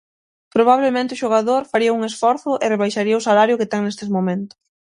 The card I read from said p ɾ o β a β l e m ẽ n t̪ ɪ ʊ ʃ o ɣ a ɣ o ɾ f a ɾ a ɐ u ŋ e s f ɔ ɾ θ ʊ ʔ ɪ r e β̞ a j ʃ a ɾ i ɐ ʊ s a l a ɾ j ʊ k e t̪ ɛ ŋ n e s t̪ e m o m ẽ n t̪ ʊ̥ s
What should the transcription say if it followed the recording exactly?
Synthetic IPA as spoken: p ɾ o β a β l e m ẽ n t̪ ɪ ʊ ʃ o ɣ a ð o ɾ f a ɾ i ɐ u ŋ e s f ɔ ɾ θ ʊ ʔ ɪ r e β̞ a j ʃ a ɾ i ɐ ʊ s a l a ɾ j ʊ k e t̪ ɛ ŋ n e s t̪ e m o m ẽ n t̪ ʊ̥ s